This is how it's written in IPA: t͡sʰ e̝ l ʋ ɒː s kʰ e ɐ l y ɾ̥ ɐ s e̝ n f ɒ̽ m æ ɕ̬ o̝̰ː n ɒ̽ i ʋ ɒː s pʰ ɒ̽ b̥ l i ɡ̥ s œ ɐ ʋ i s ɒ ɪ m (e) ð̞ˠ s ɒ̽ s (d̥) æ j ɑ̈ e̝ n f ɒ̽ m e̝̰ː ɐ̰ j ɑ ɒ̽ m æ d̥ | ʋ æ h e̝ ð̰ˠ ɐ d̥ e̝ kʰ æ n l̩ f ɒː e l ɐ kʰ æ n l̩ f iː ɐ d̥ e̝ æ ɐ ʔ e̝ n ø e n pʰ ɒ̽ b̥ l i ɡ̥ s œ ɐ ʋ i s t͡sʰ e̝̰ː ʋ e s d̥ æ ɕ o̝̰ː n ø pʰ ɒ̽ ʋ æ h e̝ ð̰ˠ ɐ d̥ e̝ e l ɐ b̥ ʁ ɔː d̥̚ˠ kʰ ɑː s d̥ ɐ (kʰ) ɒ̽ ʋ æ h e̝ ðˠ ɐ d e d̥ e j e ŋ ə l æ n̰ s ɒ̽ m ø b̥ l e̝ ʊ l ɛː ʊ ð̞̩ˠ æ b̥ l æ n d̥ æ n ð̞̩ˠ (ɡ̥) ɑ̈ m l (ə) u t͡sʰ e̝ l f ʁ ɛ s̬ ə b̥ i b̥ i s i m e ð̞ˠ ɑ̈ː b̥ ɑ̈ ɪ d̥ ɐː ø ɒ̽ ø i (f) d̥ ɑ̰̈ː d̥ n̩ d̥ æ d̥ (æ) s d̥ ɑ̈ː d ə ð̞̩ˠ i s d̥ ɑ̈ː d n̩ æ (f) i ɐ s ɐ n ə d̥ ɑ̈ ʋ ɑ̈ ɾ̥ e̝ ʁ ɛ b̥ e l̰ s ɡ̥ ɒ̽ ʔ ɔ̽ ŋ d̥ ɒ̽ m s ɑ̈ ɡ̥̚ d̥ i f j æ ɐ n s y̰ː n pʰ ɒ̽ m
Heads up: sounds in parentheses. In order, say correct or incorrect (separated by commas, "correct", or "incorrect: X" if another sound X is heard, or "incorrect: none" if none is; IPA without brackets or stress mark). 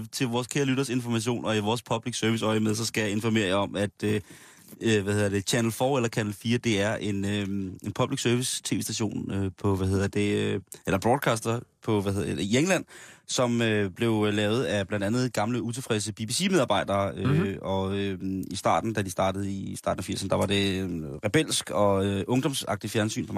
correct, incorrect: ɡ̥, incorrect: pʰ, correct, correct, incorrect: s, incorrect: i, correct